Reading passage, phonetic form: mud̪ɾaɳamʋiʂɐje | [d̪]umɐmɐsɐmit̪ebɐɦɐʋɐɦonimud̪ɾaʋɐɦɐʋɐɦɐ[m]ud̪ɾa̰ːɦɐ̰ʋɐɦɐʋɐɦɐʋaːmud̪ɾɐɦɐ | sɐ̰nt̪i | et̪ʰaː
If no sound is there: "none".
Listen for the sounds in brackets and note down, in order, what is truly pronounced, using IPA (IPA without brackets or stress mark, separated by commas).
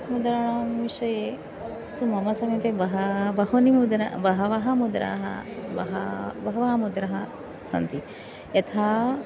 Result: t̪, m